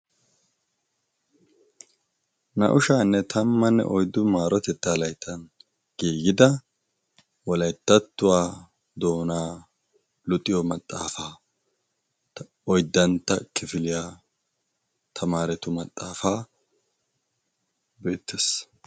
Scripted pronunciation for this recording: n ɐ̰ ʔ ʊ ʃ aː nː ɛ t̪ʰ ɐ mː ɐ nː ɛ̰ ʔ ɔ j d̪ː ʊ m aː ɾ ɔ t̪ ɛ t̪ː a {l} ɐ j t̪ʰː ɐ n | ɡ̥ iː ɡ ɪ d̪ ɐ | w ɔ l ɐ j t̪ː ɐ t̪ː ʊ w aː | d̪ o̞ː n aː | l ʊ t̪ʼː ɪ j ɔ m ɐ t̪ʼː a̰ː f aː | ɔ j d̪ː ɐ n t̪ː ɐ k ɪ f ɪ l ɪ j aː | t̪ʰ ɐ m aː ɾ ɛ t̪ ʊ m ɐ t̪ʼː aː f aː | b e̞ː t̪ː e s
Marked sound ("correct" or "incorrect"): correct